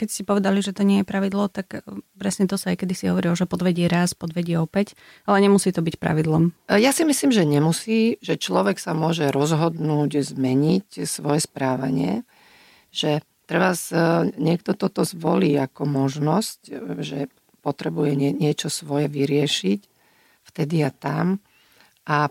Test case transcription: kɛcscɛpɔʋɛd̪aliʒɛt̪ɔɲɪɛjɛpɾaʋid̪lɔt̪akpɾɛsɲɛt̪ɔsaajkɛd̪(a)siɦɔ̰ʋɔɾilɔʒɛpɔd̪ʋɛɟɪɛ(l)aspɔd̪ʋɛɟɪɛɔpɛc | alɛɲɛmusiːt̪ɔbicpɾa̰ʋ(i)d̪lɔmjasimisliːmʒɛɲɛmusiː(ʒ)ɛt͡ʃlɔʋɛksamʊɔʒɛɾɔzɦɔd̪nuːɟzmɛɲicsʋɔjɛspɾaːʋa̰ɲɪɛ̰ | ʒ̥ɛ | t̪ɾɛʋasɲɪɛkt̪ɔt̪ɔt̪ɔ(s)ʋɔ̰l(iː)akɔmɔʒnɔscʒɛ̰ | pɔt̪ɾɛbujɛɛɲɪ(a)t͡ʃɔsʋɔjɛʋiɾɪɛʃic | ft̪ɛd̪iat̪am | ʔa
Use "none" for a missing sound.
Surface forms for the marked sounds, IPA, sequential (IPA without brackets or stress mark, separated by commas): i, ɾ, i, ʒ, z, iː, ɛ